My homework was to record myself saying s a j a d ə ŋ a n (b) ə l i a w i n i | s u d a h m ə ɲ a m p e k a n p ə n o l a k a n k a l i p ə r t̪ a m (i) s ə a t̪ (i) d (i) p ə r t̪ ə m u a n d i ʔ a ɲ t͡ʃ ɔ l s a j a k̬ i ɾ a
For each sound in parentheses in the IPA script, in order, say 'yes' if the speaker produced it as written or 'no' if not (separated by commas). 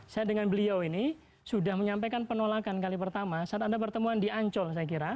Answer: yes, no, no, no